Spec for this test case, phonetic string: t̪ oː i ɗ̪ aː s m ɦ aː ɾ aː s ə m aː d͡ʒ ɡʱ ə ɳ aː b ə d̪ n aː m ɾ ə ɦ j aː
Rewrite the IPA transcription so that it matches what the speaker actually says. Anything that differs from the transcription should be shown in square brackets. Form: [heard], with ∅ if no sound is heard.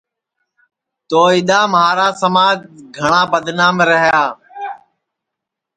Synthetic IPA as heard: t̪ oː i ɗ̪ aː [∅] m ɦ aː ɾ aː s ə m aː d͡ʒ ɡʱ ə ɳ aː b ə d̪ n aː m ɾ ə ɦ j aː